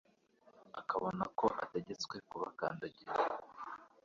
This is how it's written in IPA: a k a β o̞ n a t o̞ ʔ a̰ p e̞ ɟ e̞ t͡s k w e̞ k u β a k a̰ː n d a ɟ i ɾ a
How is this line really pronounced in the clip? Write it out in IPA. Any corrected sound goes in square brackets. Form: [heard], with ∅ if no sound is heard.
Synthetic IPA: a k a β o̞ n a [k] o̞ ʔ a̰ [t] e̞ ɟ e̞ t͡s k w e̞ k u β a k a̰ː n d a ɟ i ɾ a